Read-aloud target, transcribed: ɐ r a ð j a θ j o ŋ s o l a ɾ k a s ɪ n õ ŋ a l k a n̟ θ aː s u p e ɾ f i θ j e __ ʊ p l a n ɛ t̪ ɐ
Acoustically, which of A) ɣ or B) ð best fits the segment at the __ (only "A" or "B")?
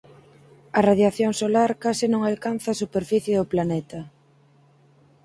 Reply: B